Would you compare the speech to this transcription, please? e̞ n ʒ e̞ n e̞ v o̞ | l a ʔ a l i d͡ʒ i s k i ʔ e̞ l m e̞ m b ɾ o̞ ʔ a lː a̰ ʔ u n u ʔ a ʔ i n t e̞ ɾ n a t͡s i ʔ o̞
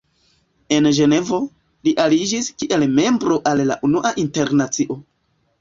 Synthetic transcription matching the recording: e̞ n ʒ e̞ n e̞ v o̞ | l i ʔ a l i d͡ʒ i s k i ʔ e̞ l m e̞ m b ɾ o̞ ʔ a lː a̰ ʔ u n u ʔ a ʔ i n t e̞ ɾ n a t͡s i ʔ o̞